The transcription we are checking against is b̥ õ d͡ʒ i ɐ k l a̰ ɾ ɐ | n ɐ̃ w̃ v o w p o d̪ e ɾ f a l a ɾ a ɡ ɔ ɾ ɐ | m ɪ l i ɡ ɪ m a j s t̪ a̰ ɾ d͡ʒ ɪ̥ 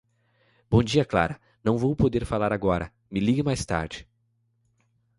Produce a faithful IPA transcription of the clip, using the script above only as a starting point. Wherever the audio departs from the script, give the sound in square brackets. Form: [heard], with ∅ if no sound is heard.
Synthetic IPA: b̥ õ d͡ʒ i ɐ k l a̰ ɾ ɐ | n ɐ̃ w̃ v o w p o d̪ e ɾ f a l a ɾ a ɡ ɔ ɾ ɐ | m ɪ l i ɡ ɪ m a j s t̪ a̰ ɾ d͡ʒ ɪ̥